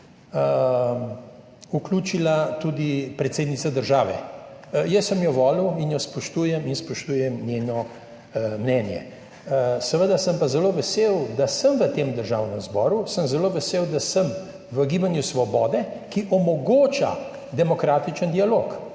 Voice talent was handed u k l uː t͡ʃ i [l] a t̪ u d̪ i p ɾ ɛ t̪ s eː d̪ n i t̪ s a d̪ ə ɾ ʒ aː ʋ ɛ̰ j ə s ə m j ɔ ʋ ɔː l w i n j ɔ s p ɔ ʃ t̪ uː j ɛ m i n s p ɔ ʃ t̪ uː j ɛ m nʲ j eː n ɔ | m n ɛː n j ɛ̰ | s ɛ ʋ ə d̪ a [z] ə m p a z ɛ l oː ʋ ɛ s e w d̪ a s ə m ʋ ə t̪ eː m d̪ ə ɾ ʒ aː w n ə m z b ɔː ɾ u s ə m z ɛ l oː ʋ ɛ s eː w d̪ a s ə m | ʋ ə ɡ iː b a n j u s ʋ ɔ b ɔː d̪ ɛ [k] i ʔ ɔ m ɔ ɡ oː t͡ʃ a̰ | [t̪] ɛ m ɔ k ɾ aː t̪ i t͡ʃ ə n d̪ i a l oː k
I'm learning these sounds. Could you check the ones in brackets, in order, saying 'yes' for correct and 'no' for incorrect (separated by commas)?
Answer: yes, no, yes, no